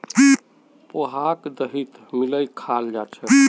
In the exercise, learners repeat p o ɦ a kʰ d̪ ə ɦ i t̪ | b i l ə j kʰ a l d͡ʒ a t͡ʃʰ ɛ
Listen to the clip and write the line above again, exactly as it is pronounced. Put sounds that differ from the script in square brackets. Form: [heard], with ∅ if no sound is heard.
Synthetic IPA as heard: p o ɦ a [k] d̪ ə ɦ i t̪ | [m] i l ə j kʰ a l d͡ʒ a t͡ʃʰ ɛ